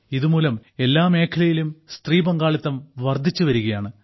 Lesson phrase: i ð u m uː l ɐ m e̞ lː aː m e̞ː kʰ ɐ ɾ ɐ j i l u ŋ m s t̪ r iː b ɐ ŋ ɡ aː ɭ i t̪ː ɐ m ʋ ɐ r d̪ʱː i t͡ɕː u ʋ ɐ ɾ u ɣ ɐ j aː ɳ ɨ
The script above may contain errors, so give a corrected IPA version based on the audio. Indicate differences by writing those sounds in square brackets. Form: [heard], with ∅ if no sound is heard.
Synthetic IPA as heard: i ð u m uː l ɐ m e̞ lː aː m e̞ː kʰ ɐ [l] ɐ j i l u [∅] m s t̪ r iː b ɐ ŋ ɡ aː ɭ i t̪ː ɐ m ʋ ɐ r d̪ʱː i t͡ɕː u ʋ ɐ ɾ u ɣ ɐ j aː ɳ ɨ